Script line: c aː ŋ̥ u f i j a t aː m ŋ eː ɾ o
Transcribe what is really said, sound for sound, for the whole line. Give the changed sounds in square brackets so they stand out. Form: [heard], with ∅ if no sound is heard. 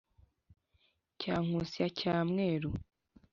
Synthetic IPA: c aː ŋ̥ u [s] i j a [c] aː m ŋ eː ɾ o